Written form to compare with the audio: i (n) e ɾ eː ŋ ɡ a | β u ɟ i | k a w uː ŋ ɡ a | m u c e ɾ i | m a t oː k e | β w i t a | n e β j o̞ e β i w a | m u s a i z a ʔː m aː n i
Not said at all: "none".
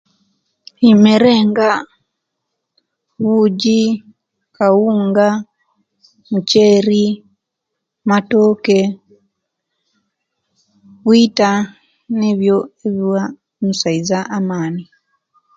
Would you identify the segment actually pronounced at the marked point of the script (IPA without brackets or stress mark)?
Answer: m